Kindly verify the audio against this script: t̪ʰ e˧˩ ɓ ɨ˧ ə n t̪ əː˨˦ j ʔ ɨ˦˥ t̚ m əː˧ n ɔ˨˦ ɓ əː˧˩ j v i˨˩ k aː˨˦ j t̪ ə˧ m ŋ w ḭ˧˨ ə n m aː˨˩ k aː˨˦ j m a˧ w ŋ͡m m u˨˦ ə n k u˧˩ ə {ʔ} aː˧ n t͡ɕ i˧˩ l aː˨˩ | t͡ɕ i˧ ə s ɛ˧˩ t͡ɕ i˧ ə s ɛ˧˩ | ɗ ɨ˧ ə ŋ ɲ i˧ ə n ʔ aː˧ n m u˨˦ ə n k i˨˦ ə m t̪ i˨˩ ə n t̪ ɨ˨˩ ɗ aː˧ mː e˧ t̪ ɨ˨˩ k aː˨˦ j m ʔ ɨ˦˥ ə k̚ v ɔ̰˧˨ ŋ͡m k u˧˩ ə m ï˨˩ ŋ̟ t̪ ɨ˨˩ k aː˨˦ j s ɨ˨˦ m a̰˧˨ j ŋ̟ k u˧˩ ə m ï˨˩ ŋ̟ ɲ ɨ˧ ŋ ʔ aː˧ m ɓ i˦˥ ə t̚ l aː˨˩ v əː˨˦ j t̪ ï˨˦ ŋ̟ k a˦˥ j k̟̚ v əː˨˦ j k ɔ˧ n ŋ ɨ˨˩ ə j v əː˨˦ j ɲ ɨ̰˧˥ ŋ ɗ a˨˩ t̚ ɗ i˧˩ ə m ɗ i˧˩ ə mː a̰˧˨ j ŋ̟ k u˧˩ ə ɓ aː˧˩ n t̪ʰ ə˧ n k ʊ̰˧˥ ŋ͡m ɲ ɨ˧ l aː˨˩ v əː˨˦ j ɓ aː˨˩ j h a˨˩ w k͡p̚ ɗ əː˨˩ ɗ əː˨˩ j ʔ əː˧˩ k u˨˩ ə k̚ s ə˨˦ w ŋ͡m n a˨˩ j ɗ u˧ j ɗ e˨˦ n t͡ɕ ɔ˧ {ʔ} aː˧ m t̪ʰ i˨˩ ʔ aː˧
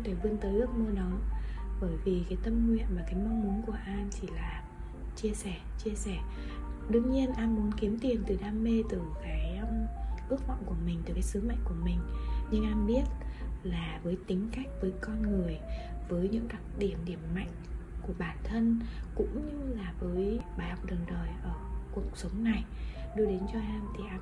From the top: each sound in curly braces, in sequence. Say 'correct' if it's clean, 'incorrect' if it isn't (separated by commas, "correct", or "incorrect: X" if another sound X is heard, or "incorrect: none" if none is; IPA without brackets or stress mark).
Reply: correct, correct